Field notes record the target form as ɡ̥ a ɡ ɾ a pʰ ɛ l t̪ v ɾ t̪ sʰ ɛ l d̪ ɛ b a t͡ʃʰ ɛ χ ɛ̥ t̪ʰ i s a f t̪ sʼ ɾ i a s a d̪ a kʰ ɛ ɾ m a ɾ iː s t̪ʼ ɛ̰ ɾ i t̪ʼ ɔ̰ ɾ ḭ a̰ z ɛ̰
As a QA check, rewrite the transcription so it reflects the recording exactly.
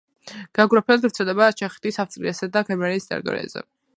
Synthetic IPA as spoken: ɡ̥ a ɡ ɾ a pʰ ɛ l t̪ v ɾ t̪ sʰ ɛ l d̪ ɛ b a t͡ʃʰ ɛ χ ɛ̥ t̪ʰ i s a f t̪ sʼ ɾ i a s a d̪ a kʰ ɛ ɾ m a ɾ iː s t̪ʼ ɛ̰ ɾ i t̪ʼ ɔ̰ ɾ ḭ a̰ z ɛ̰